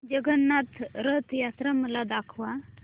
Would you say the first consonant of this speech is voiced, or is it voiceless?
voiced